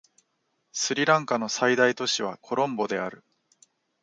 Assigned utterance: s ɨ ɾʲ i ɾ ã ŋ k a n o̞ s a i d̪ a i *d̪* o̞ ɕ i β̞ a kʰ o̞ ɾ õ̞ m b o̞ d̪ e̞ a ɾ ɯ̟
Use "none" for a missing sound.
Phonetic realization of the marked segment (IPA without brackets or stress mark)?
t̪